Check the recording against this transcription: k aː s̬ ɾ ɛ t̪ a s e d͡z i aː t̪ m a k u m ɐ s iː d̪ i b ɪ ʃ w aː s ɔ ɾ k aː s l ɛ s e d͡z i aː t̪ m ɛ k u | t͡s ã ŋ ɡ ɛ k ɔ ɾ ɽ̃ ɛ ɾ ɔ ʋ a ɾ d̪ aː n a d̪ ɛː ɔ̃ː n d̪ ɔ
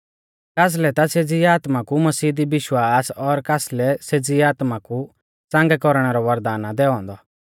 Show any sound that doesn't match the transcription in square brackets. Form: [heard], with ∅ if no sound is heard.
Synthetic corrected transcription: k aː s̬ [l] ɛ t̪ a s e d͡z i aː t̪ m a k u m ɐ s iː d̪ i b ɪ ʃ w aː s ɔ ɾ k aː s l ɛ s e d͡z i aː t̪ m [a] k u | t͡s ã ŋ ɡ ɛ k ɔ ɾ ɽ̃ ɛ ɾ ɔ ʋ [ɐ] ɾ d̪ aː n a d̪ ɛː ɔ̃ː n d̪ ɔ